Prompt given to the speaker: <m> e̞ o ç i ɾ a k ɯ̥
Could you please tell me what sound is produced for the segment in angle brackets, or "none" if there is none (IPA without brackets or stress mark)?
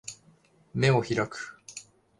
m